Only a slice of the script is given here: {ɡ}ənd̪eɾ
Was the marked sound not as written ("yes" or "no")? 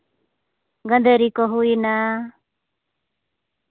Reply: no